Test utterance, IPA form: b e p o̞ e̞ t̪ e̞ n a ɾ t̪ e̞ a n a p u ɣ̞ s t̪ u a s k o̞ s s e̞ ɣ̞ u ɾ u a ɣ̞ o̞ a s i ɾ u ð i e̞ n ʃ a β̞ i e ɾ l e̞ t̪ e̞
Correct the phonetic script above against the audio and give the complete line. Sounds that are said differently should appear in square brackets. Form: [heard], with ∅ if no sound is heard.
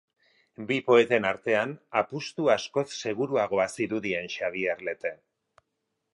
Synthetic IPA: b [i] p o̞ e̞ t̪ e̞ n a ɾ t̪ e̞ a n a p u [∅] s t̪ u a s k o̞ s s e̞ ɣ̞ u ɾ u a ɣ̞ o̞ a s i ɾ u ð i e̞ n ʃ a β̞ i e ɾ l e̞ t̪ e̞